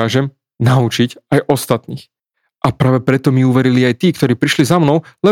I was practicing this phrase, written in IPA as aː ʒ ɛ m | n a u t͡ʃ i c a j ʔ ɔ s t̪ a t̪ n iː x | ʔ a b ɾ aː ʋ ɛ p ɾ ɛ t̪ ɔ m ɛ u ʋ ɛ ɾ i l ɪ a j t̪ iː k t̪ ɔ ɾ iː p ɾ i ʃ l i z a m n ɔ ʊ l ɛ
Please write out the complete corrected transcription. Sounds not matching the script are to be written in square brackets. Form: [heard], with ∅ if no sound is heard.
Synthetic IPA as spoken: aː ʒ ɛ m | n a u t͡ʃ i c a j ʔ ɔ s t̪ a t̪ n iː x | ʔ a [p] ɾ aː ʋ ɛ p ɾ ɛ t̪ ɔ m [i] u ʋ ɛ ɾ i l [i] a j t̪ iː k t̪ ɔ ɾ iː p ɾ i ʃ l i z a m n ɔ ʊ l ɛ